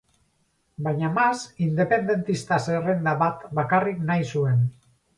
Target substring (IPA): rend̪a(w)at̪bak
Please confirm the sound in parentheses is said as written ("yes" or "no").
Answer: no